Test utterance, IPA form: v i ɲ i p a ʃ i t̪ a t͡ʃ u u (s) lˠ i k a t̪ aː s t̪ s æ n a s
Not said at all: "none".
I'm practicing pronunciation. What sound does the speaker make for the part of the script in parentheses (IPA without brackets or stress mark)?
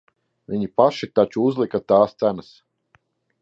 z